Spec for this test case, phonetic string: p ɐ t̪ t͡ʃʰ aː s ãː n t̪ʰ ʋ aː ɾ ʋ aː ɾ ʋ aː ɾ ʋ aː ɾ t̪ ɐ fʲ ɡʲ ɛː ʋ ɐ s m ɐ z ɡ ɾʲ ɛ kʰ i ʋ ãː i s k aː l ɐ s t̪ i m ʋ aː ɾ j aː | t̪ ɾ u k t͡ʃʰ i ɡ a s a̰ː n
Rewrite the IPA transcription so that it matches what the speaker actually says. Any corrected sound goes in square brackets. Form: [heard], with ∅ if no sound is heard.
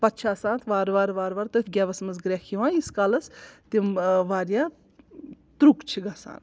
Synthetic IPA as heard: p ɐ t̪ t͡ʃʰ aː s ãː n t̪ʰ ʋ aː ɾ ʋ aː ɾ ʋ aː ɾ ʋ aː ɾ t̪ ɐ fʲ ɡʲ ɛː ʋ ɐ s m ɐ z ɡ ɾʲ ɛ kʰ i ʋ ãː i s k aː l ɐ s t̪ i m ʋ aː ɾ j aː | t̪ ɾ u k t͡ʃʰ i ɡ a s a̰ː n